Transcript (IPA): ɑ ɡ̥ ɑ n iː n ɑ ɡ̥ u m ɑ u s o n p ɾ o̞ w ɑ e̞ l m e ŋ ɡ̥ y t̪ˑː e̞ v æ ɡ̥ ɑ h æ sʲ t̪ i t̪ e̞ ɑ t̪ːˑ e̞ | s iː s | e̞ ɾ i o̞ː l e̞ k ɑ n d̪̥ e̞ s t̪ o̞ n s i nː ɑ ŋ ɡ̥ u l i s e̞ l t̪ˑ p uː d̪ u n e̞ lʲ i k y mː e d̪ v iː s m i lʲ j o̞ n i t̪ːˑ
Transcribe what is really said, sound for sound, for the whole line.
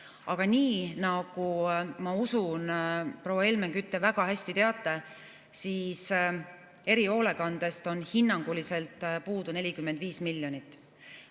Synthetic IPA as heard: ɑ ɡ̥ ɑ n iː n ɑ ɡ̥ u m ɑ u s u n p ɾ o̞ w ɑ e̞ l m e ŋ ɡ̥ y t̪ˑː e̞ v æ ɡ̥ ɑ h æ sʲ t̪ i t̪ e̞ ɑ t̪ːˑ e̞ | s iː s | e̞ ɾ i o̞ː l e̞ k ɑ n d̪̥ e̞ s t̪ o̞ n h i nː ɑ ŋ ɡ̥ u l i s e̞ l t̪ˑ p uː d̪ u n e̞ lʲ i k y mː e d̪ v iː s m i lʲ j o̞ n i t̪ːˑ